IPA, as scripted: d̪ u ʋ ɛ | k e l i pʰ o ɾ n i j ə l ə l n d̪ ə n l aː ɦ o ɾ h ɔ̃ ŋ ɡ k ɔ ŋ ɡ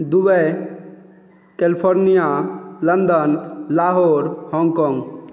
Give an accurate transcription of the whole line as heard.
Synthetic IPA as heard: d̪ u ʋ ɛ | k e l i pʰ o ɾ n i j a l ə n d̪ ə n l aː ɦ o ɾ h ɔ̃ ŋ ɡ k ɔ ŋ ɡ